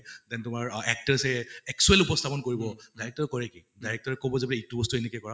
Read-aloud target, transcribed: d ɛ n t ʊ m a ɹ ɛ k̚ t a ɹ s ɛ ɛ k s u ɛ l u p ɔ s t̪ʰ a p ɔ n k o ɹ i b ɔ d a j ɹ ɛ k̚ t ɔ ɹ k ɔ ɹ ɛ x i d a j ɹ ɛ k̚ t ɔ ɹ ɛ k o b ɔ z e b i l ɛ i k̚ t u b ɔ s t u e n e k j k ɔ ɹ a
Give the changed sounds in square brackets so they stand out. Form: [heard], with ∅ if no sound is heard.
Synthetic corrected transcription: d ɛ n t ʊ m a ɹ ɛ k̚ t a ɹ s ɛ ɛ k s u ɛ l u p ɔ s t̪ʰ a p ɔ n k o ɹ i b ɔ d a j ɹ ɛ k̚ t ɔ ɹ k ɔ ɹ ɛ [k] i d a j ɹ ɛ k̚ t ɔ ɹ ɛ k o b ɔ z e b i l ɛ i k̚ t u b ɔ s t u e n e k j k ɔ ɹ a

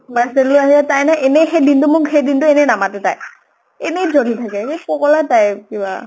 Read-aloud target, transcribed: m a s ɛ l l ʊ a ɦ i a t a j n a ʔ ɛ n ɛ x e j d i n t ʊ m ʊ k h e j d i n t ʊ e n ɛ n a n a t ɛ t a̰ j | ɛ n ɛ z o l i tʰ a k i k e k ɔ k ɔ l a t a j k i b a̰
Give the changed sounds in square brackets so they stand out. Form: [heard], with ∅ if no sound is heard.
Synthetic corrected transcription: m a s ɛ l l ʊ a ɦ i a t a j n a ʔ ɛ n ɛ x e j d i n t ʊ m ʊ k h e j d i n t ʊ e n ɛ n a [m] a t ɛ t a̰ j | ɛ n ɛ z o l i tʰ a k [ɛ] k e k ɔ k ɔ l a t a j k i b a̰

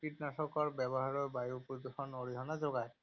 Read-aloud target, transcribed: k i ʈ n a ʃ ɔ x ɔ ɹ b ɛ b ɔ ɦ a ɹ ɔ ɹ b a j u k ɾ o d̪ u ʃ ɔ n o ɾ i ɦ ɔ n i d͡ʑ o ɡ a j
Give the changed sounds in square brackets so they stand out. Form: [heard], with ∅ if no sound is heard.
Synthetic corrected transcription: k i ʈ n a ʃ ɔ [k] ɔ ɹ b ɛ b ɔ ɦ a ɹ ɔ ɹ b a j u [p] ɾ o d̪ u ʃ ɔ n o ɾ i ɦ ɔ n [a] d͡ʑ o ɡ a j

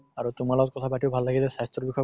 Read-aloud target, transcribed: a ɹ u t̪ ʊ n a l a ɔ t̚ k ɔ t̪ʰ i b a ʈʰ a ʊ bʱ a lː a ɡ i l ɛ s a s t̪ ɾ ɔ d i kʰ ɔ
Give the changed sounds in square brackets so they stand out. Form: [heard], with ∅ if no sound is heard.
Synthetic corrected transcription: a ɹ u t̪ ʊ [m] a l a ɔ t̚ k ɔ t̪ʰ [a] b a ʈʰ [i] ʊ bʱ a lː a ɡ i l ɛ s a s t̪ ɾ ɔ [b] i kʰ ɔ

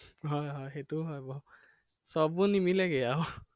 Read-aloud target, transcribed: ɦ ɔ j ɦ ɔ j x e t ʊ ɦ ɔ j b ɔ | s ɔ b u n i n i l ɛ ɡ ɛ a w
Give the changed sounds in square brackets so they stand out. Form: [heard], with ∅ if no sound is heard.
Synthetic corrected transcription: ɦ ɔ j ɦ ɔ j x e t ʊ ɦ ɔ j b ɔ | s ɔ b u n i [m] i l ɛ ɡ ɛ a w

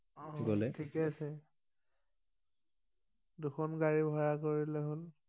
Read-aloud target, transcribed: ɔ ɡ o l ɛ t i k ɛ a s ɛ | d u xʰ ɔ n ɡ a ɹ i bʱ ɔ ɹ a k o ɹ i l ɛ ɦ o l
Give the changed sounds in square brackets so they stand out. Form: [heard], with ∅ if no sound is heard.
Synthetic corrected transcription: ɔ ɡ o l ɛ [tʰ] i k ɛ a s ɛ | d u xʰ ɔ n ɡ a ɹ i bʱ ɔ ɹ a k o ɹ i l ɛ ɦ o l

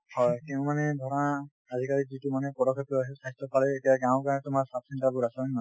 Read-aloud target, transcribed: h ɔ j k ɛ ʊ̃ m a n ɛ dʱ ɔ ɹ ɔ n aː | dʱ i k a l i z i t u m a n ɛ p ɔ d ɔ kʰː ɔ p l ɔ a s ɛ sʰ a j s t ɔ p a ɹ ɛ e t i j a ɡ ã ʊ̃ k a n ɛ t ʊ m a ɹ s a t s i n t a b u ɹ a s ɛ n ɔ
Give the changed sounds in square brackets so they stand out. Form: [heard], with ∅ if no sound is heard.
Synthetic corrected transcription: h ɔ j k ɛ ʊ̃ m a n ɛ dʱ ɔ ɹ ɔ n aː | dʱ i k a [ɹ] i z i t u m a n ɛ p ɔ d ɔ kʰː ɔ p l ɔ a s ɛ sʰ a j s t ɔ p a [l] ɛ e t i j a ɡ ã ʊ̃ k a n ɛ t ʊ m a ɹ s a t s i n t a b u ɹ a s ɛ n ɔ

